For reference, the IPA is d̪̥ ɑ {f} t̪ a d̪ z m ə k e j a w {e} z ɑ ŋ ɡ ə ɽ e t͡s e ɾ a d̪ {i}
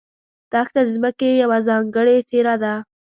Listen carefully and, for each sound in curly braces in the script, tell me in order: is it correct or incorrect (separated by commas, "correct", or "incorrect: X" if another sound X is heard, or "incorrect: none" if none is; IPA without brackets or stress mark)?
incorrect: x, incorrect: a, incorrect: a